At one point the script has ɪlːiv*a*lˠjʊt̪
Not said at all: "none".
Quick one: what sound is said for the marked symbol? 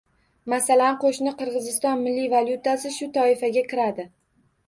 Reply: a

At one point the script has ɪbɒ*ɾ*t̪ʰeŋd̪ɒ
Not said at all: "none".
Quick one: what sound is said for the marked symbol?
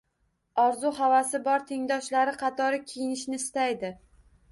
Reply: ɾ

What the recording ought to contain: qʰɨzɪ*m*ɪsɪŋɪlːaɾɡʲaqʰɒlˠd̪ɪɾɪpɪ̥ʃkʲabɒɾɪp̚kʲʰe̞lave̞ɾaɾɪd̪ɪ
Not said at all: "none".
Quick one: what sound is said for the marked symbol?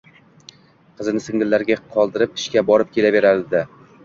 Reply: n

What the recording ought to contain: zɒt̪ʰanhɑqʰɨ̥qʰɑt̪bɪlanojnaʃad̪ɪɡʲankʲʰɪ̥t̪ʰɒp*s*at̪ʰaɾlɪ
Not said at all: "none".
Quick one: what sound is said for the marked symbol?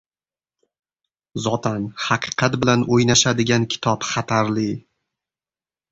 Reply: χ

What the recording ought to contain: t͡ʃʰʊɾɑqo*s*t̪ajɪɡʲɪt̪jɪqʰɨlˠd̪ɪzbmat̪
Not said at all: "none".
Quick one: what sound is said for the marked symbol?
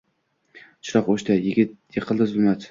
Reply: ʃ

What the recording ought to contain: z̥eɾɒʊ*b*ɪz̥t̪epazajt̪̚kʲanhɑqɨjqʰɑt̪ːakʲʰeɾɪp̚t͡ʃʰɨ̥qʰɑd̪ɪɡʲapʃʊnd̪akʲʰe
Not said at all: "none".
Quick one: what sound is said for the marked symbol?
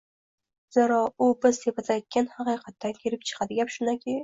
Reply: b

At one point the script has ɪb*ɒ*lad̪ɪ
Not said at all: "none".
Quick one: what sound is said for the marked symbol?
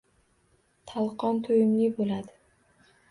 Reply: o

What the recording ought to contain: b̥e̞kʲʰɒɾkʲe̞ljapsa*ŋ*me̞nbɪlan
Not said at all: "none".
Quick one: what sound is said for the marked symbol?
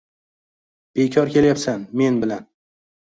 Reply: n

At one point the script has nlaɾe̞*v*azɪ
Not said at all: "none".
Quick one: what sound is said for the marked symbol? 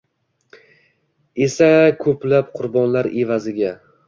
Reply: v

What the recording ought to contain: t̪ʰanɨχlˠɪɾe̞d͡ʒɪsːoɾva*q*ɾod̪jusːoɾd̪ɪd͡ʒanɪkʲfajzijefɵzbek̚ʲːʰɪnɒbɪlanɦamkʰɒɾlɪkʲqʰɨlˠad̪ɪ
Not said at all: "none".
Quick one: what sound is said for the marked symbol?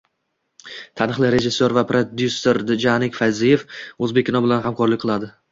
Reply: p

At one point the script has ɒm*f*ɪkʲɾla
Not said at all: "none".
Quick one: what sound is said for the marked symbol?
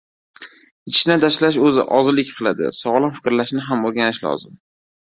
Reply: f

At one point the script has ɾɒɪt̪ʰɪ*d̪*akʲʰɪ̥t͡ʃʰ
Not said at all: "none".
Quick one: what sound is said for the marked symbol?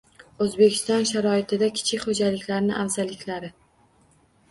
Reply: d̪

